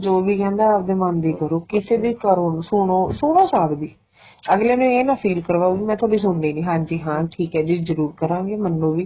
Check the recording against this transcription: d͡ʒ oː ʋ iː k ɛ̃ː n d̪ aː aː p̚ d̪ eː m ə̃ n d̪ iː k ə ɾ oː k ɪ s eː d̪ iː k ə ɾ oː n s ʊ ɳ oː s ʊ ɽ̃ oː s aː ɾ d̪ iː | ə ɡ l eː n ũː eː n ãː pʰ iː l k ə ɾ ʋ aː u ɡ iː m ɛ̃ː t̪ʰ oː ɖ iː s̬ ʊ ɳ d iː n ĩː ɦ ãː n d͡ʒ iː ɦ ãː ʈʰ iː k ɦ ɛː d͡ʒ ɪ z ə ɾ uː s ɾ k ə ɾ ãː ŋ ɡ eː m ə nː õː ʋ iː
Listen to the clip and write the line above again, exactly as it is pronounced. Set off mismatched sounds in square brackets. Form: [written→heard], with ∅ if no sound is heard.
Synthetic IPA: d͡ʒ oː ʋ iː k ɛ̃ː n d̪ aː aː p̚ d̪ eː m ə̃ n d̪ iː k ə ɾ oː k ɪ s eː d̪ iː k ə ɾ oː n s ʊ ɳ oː s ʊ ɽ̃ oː s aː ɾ d̪ iː | ə ɡ l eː n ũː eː n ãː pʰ iː l k ə ɾ ʋ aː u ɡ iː m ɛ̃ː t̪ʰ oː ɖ iː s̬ ʊ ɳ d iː n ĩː ɦ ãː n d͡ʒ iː ɦ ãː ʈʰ iː k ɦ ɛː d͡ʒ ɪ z ə ɾ uː [s→∅] ɾ k ə ɾ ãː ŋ ɡ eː m ə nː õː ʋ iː